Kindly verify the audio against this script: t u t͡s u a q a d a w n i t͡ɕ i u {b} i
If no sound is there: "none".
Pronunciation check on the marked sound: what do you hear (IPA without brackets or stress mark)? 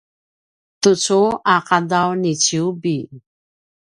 b